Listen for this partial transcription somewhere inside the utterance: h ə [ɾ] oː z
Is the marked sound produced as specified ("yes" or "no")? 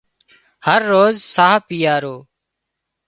no